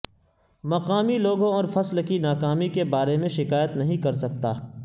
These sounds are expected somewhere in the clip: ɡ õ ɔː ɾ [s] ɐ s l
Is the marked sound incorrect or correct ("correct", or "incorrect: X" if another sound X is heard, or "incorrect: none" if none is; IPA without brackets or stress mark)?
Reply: incorrect: f